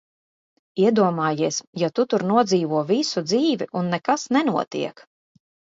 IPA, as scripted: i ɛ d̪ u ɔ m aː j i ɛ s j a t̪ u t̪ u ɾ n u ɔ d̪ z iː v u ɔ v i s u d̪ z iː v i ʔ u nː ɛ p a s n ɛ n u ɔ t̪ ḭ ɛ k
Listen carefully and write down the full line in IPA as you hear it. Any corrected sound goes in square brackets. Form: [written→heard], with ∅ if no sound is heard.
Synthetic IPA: i ɛ d̪ u ɔ m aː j i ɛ s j a t̪ u t̪ u ɾ n u ɔ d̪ z iː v u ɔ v i s u d̪ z iː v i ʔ u nː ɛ [p→k] a s n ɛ n u ɔ t̪ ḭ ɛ k